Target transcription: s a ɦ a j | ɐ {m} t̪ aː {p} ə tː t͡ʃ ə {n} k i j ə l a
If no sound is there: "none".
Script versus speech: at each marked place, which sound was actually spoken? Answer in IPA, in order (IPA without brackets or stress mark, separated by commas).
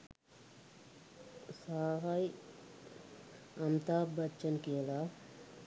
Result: m, b, n